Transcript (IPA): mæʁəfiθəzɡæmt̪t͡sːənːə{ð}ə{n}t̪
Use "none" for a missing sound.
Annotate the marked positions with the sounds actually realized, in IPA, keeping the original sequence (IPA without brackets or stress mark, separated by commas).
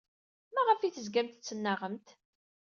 ʁ, m